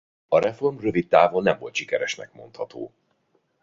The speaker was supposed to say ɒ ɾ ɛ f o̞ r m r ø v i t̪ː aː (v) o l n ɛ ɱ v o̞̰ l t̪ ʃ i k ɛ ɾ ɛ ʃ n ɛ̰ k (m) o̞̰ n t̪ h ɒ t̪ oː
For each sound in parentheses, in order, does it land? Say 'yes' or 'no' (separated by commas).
yes, yes